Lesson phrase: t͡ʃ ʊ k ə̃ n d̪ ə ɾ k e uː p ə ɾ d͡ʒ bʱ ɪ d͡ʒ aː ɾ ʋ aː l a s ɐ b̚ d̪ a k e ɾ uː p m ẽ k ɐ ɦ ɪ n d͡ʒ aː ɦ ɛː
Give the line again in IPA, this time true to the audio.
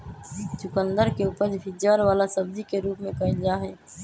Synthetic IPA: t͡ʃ ʊ k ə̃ n d̪ ə ɾ k e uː p ə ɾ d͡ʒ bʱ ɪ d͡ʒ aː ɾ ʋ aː l a s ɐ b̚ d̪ i k e ɾ uː p m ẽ k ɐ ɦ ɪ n d͡ʒ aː ɦ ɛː